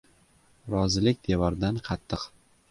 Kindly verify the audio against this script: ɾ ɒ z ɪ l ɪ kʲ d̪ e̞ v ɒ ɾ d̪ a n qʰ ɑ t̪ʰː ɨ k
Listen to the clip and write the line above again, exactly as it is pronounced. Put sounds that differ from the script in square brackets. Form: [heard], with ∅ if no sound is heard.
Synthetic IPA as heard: ɾ ɒ z ɪ l ɪ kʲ d̪ e̞ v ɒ ɾ d̪ a n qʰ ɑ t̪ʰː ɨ [q]

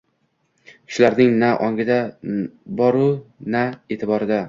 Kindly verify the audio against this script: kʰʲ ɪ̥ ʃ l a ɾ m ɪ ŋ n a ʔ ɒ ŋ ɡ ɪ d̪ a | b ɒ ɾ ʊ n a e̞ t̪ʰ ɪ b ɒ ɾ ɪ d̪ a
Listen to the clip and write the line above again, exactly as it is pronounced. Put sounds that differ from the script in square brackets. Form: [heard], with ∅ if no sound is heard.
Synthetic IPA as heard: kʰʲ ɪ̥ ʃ l a ɾ [n] ɪ ŋ n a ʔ ɒ ŋ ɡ ɪ d̪ a | b ɒ ɾ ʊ n a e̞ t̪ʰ ɪ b ɒ ɾ ɪ d̪ a

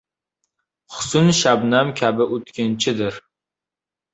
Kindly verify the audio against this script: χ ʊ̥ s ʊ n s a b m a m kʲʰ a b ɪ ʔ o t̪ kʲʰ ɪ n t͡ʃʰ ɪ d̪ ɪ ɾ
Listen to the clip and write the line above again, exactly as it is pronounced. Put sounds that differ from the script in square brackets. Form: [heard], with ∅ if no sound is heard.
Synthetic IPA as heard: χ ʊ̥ s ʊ n [ʃ] a b [n] a m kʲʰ a b ɪ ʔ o t̪ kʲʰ ɪ n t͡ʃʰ ɪ d̪ ɪ ɾ

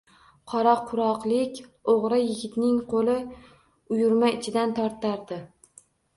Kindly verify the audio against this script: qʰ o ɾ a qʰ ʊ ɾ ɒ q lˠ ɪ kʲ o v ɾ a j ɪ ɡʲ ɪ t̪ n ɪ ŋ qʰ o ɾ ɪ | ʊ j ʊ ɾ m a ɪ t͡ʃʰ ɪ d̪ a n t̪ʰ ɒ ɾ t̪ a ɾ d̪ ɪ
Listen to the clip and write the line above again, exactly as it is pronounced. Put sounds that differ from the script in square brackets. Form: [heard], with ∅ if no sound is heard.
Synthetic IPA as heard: qʰ [ɒ] ɾ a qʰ ʊ ɾ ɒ q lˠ ɪ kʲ o [ʁ] ɾ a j ɪ ɡʲ ɪ t̪ n ɪ ŋ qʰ o [l] ɪ | ʊ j ʊ ɾ m a ɪ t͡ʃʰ ɪ d̪ a n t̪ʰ ɒ ɾ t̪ a ɾ d̪ ɪ

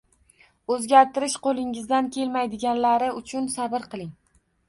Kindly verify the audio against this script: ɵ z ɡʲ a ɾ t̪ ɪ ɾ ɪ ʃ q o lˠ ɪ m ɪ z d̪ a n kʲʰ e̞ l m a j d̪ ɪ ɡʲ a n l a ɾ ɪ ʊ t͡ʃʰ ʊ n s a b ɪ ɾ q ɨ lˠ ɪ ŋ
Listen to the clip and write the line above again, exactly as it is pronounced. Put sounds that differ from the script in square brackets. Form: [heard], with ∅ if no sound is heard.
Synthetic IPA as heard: ɵ z ɡʲ a ɾ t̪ ɪ ɾ ɪ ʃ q o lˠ ɪ [ŋ] ɪ z d̪ a n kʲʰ e̞ l m a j d̪ ɪ ɡʲ a n l a ɾ ɪ ʊ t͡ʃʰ ʊ n s a b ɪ ɾ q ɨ lˠ ɪ ŋ

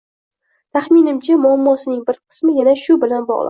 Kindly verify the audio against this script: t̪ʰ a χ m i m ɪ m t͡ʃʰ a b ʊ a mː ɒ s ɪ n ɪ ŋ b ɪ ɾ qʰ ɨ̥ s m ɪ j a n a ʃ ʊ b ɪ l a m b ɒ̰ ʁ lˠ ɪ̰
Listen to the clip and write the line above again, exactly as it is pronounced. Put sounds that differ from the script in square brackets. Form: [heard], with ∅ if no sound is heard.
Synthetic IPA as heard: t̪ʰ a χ m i [n] ɪ m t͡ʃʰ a [m] ʊ a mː ɒ s ɪ n ɪ ŋ b ɪ ɾ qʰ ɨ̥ s m ɪ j a n a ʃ ʊ b ɪ l a [n] b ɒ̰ ʁ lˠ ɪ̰

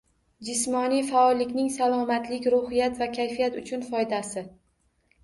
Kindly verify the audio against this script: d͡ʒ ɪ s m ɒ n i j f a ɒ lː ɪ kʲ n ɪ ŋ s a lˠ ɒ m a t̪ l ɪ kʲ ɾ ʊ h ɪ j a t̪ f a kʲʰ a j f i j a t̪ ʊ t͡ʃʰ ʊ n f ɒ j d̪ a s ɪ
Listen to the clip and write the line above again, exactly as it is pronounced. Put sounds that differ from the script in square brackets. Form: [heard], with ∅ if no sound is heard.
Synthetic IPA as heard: d͡ʒ ɪ s m ɒ n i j f a ɒ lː ɪ kʲ n ɪ ŋ s a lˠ ɒ m a t̪ l ɪ kʲ ɾ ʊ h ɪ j a t̪ [v] a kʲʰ a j f i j a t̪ ʊ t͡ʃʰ ʊ n f ɒ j d̪ a s ɪ

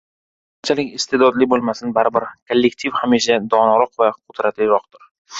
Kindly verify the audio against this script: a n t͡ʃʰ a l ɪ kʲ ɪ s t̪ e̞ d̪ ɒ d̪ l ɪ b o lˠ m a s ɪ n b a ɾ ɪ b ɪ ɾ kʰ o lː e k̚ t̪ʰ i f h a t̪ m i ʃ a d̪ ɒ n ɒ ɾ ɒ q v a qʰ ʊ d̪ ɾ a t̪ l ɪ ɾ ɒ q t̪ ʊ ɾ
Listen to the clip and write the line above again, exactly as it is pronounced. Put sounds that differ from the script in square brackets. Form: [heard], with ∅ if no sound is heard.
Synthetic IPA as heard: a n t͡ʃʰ a l ɪ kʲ ɪ s t̪ e̞ d̪ ɒ d̪ l ɪ b o lˠ m a s ɪ n b a ɾ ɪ b ɪ ɾ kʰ o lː e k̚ t̪ʰ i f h a [∅] m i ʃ a d̪ ɒ n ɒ ɾ ɒ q v a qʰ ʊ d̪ ɾ a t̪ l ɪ ɾ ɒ q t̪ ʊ ɾ

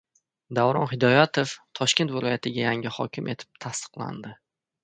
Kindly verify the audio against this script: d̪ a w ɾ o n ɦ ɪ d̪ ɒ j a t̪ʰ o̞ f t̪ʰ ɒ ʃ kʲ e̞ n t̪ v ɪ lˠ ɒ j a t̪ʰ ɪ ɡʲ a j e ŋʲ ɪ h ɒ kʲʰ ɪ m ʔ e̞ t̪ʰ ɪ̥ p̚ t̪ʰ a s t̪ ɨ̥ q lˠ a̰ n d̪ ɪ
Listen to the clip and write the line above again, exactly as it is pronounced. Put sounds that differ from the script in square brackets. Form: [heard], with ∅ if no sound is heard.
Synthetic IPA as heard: d̪ a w ɾ [ɒ] n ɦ ɪ d̪ ɒ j a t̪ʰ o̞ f t̪ʰ ɒ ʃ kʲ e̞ n t̪ v ɪ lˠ ɒ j a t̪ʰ ɪ ɡʲ a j [a] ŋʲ ɪ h ɒ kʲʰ ɪ m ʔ e̞ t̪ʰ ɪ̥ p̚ t̪ʰ a s t̪ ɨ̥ q lˠ a̰ n d̪ ɪ

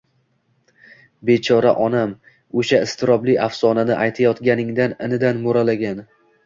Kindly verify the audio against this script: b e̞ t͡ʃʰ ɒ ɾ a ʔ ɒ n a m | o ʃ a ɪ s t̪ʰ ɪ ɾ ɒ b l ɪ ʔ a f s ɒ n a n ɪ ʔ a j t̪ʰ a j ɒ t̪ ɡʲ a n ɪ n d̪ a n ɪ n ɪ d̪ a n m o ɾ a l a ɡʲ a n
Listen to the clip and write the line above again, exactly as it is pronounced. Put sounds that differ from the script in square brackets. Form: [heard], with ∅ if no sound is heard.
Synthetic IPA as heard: b e̞ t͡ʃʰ ɒ ɾ a ʔ ɒ n a m | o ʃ a ɪ s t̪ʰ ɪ ɾ ɒ b l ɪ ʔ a f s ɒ n a n ɪ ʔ a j t̪ʰ a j ɒ t̪ ɡʲ a n ɪ [ŋ] d̪ a n ɪ n ɪ d̪ a n m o ɾ a l a ɡʲ a n

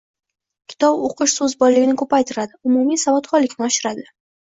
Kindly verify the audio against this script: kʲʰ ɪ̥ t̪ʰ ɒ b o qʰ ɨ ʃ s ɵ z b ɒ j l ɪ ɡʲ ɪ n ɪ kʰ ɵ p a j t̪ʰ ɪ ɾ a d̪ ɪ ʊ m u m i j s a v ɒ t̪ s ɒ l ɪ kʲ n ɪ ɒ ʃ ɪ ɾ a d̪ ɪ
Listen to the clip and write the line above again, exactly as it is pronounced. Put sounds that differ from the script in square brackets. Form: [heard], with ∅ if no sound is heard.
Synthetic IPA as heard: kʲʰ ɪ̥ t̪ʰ ɒ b o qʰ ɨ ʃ s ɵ z b ɒ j l ɪ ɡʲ ɪ n ɪ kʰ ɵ p a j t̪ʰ ɪ ɾ a d̪ ɪ ʊ m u m i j s a v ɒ t̪ [χ] ɒ l ɪ kʲ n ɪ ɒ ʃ ɪ ɾ a d̪ ɪ

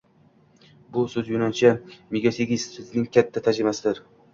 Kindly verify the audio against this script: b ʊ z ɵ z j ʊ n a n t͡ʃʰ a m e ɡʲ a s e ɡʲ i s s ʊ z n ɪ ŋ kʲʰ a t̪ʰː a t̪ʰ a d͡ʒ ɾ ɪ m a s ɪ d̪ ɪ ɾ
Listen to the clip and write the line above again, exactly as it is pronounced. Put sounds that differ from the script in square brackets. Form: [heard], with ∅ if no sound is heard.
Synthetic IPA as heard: b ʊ [s] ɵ z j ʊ n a n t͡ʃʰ a m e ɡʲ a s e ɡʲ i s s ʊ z n ɪ ŋ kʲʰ a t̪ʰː a t̪ʰ a d͡ʒ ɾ ɪ m a s ɪ d̪ ɪ ɾ

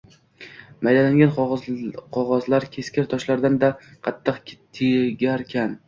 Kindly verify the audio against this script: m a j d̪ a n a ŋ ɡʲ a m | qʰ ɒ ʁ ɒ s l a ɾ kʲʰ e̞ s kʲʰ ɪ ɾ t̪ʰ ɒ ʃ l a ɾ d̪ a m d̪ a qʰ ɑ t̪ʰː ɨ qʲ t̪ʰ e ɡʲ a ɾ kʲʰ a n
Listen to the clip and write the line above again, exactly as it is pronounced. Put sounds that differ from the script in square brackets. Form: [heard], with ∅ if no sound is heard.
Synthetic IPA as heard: m a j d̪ a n a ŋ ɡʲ a [n] | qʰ ɒ ʁ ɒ [z] l a ɾ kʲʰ e̞ s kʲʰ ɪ ɾ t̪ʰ ɒ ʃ l a ɾ d̪ a [n] d̪ a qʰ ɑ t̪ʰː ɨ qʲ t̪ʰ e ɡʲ a ɾ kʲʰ a n

